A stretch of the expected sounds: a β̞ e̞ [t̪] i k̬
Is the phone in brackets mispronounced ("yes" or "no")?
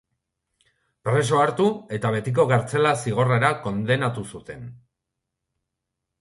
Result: no